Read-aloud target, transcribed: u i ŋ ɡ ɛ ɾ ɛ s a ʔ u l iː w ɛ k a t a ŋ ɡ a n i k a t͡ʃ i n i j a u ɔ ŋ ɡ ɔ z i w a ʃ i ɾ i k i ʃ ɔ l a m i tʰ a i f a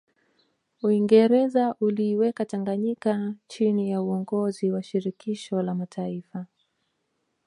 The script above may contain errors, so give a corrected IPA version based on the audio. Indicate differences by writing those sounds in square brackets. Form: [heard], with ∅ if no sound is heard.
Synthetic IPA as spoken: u i ŋ ɡ ɛ ɾ ɛ [z] a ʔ u l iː w ɛ k a t a ŋ ɡ a [ɲ] i k a t͡ʃ i n i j a u ɔ ŋ ɡ ɔ z i w a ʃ i ɾ i k i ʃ ɔ l a m [a] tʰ a i f a